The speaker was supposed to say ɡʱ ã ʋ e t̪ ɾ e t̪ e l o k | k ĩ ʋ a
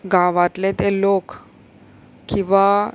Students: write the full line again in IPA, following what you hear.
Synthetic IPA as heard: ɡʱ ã ʋ a t̪ l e t̪ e l o k | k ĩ ʋ a